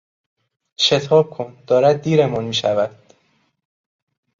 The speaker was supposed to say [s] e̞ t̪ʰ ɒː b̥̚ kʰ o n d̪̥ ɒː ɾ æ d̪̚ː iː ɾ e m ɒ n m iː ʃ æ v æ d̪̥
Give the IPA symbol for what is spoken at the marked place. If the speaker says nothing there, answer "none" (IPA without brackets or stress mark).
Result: ʃ